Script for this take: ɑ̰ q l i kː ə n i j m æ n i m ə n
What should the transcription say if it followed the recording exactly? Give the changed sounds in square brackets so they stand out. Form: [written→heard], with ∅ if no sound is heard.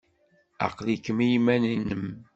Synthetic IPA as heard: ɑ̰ q l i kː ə [n→m] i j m æ n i [m→n] ə [n→m]